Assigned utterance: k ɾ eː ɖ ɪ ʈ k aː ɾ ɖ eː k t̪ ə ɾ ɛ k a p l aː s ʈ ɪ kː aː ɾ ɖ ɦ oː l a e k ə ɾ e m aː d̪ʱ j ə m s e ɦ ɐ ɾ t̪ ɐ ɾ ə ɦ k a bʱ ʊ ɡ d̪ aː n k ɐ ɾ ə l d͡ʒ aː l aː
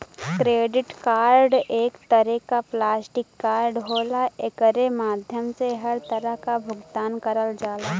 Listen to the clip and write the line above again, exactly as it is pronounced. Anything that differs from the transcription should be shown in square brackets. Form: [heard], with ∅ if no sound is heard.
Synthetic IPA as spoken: k ɾ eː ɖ ɪ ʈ k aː ɾ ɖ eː k t̪ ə ɾ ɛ k a p l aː s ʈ ɪ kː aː ɾ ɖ ɦ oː l a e k ə ɾ e m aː d̪ʱ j ə m s e ɦ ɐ ɾ t̪ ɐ ɾ ə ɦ k a bʱ ʊ ɡ [t̪] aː n k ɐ ɾ ə l d͡ʒ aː l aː